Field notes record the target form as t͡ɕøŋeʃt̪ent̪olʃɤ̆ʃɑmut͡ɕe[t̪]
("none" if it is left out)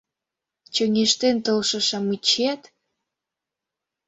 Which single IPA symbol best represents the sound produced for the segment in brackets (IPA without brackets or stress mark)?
t̪